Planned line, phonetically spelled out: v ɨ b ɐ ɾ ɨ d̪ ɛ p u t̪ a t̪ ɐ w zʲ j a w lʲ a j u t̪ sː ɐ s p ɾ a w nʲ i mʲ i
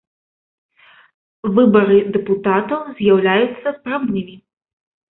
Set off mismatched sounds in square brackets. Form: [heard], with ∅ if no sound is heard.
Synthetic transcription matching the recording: v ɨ b ɐ ɾ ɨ d̪ ɛ p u t̪ a t̪ ɐ w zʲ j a w lʲ a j u t̪ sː ɐ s p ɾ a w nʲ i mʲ i